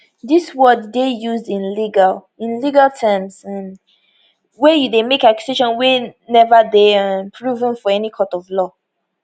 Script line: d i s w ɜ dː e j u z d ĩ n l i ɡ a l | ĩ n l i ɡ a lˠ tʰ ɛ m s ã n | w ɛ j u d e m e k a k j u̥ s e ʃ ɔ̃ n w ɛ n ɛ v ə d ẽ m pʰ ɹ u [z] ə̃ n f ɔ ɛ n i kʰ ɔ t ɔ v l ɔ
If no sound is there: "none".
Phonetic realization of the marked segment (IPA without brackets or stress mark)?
v